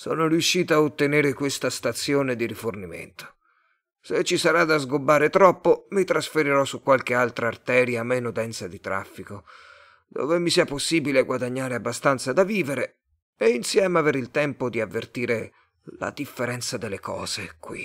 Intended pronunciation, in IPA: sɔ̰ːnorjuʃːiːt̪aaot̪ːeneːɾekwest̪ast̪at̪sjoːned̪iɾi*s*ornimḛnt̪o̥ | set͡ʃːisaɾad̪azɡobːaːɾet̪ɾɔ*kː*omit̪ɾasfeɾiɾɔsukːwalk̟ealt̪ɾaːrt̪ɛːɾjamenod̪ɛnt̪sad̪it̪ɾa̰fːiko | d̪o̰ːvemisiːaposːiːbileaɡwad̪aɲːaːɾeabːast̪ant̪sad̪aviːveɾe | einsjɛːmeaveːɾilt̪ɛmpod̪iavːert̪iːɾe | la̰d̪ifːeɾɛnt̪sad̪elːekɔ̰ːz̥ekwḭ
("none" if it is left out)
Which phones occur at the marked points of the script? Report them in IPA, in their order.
f, pː

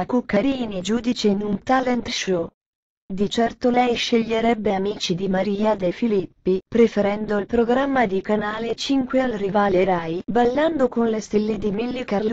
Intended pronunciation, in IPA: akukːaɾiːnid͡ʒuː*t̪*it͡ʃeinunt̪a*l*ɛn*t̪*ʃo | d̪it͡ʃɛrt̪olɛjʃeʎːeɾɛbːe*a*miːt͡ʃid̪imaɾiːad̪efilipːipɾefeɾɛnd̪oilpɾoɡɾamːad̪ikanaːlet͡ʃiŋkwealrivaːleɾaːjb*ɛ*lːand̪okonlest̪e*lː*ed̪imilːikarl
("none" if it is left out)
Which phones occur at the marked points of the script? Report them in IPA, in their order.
d̪, l, t̪, a, a, lː

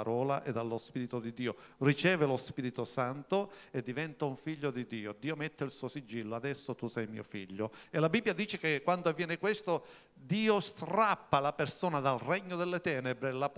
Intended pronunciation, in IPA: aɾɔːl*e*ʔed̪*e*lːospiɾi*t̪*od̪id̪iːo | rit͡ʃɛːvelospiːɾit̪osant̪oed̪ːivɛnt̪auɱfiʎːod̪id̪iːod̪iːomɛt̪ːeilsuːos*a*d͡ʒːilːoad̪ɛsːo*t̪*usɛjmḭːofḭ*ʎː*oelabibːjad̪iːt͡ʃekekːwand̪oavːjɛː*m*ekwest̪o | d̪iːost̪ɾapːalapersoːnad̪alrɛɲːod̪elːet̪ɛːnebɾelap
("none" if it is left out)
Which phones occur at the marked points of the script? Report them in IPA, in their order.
a, a, t̪, i, t̪, ʎː, n

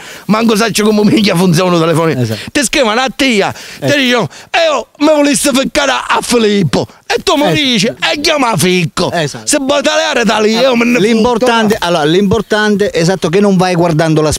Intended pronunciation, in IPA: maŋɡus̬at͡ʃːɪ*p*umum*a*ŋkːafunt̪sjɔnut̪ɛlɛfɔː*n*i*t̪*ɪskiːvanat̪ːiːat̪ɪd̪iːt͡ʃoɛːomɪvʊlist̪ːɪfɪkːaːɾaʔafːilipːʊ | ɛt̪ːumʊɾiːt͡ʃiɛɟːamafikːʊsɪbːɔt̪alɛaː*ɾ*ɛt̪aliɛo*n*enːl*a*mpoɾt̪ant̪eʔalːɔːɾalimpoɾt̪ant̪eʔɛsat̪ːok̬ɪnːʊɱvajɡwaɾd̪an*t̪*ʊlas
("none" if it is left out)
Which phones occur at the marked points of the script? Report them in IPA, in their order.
k, i, n, t̪, ɾ, m, i, d̪

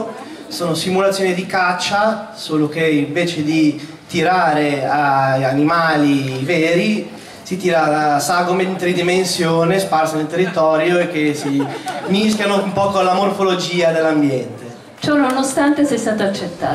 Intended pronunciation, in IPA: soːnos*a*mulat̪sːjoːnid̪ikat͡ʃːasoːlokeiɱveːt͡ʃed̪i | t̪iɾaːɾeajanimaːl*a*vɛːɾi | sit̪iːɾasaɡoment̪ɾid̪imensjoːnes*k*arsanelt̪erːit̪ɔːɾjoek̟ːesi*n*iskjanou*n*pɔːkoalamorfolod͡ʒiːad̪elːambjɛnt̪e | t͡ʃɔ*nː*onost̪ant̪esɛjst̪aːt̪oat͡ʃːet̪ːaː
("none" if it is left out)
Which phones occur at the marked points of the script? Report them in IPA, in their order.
i, i, p, m, m, n

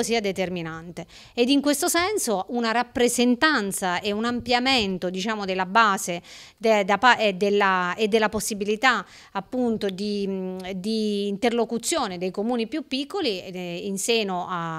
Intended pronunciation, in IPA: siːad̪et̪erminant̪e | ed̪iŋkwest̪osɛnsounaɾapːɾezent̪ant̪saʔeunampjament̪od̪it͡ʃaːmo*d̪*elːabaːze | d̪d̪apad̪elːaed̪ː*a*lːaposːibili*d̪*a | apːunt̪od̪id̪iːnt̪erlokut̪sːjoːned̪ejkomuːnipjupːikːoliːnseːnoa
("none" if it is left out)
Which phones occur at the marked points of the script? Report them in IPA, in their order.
d̪, e, t̪

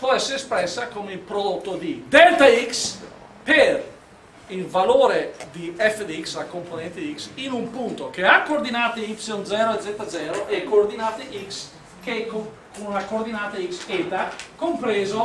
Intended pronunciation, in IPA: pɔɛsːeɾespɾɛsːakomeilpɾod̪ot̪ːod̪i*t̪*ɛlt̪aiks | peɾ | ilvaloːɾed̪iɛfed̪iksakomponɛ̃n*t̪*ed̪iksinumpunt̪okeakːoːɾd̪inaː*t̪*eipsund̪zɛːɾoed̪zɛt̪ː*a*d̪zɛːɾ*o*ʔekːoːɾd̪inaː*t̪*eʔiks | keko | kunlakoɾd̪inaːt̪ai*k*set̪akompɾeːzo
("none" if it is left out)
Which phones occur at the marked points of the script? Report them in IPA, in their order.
d̪, t̪, t̪, a, o, t̪, k

